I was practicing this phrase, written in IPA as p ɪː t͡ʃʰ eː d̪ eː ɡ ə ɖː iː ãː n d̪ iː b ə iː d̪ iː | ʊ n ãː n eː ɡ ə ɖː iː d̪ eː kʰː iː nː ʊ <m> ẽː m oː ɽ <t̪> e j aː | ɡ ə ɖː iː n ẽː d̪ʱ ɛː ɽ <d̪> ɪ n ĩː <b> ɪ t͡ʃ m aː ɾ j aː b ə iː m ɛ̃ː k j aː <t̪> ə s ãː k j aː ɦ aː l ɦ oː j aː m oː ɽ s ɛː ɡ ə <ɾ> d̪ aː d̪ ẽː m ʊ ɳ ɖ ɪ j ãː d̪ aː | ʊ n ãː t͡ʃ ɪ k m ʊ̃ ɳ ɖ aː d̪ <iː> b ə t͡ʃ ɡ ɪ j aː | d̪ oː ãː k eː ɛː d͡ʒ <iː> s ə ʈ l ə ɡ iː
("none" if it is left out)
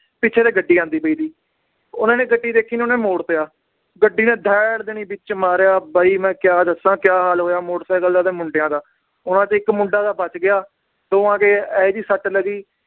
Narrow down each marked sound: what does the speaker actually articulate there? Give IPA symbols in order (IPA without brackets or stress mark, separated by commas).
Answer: n, t̪, d̪, b, d̪, l, aː, iː